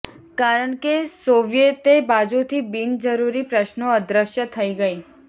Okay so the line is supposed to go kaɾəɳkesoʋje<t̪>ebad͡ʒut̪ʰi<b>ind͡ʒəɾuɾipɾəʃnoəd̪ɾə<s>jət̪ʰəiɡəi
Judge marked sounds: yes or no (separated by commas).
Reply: yes, yes, no